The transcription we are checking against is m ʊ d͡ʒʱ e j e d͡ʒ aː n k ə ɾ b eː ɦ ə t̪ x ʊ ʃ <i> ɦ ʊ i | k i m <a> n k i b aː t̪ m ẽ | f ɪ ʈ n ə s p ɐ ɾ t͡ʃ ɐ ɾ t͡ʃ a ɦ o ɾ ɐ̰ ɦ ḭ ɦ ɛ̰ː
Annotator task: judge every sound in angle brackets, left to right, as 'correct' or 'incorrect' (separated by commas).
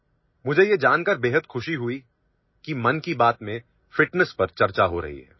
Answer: correct, incorrect